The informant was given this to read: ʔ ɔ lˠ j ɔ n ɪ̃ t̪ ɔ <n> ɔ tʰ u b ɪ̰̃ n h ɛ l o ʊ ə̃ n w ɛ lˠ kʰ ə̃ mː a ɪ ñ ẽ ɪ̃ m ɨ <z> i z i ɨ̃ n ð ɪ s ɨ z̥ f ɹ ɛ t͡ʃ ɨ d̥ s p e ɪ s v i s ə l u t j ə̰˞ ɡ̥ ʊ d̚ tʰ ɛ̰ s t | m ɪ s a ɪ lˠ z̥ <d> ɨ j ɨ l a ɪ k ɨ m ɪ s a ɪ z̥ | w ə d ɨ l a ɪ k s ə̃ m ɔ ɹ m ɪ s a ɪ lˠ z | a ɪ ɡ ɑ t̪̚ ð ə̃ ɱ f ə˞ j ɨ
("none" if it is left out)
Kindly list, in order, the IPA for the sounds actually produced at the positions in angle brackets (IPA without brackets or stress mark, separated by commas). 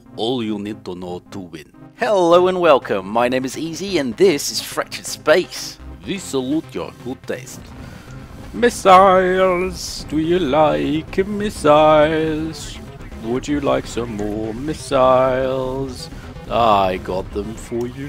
n, z, d